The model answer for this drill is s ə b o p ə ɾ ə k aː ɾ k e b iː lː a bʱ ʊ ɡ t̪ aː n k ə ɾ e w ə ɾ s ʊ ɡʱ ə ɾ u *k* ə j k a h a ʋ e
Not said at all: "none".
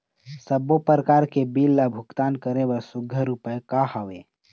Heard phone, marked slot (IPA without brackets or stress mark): p